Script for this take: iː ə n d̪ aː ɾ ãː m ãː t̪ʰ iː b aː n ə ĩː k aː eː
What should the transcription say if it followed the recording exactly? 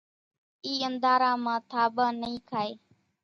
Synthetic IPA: iː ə n d̪ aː ɾ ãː m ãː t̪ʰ aː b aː n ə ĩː kʰ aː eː